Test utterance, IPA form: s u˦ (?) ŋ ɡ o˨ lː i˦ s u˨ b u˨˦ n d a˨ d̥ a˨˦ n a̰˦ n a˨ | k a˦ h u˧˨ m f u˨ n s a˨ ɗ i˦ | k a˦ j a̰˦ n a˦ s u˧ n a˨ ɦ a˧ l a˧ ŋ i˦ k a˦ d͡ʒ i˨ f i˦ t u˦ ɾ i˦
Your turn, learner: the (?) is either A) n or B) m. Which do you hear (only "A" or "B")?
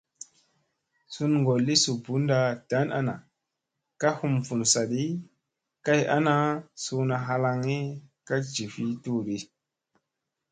A